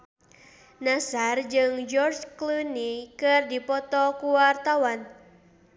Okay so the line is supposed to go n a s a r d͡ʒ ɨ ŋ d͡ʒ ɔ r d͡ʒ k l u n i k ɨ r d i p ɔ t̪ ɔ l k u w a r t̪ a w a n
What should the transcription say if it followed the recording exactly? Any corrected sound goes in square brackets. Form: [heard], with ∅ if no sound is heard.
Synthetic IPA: n a s a r d͡ʒ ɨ ŋ d͡ʒ ɔ r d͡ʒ k l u n i k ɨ r d i p ɔ t̪ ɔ [∅] k u w a r t̪ a w a n